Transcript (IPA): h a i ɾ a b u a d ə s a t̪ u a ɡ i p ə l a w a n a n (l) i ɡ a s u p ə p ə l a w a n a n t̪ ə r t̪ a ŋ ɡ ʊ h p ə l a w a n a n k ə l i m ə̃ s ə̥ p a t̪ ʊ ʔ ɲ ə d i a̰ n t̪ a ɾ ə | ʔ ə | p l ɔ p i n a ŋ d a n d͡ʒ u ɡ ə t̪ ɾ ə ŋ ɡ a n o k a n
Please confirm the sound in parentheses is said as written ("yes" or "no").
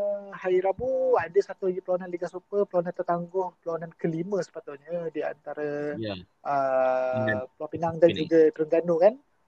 yes